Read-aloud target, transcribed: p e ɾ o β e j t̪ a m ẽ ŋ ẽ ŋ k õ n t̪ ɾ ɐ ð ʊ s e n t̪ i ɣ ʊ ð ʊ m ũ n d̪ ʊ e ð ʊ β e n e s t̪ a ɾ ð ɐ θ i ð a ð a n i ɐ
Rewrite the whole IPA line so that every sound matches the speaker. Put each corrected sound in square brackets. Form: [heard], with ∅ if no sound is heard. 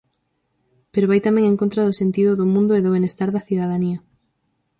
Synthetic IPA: p e ɾ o β [a] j t̪ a m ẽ ŋ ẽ ŋ k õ n t̪ ɾ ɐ ð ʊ s e n t̪ i [ð] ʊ ð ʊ m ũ n d̪ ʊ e ð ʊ β e n e s t̪ a ɾ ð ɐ θ i ð a ð a n i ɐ